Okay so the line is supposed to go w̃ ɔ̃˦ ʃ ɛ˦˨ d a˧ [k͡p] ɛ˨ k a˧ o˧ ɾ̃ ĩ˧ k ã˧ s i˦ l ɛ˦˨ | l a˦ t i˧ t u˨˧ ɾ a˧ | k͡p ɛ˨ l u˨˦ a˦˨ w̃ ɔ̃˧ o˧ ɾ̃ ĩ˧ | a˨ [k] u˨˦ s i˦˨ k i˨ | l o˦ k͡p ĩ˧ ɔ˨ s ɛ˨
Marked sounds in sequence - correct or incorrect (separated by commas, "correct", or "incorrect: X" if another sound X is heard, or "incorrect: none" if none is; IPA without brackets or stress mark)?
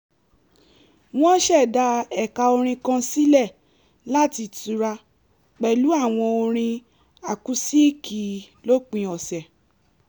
incorrect: none, correct